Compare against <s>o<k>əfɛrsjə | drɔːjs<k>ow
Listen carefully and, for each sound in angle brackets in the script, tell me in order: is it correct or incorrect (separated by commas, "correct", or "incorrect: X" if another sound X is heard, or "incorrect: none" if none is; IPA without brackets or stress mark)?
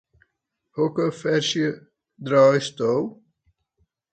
incorrect: h, correct, incorrect: t